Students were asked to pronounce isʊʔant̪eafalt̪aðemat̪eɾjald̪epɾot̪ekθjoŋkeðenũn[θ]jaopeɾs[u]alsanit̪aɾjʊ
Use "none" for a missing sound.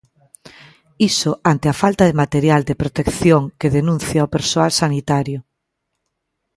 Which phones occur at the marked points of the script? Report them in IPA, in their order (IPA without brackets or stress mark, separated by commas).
θ, o